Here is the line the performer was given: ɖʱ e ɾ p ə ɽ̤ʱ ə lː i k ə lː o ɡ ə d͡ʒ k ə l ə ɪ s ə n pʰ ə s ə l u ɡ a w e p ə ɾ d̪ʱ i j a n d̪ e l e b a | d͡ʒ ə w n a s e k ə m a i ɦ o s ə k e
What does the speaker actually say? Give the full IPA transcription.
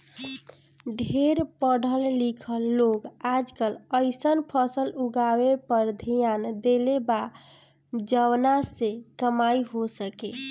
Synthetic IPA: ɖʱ e ɾ p ə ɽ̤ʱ ə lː i kʰ ə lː o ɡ a d͡ʒ k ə l ə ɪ s ə n pʰ ə s ə l u ɡ a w e p ə ɾ d̪ʱ i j a n d̪ e l e b a | d͡ʒ ə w n a s e k ə m a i ɦ o s ə k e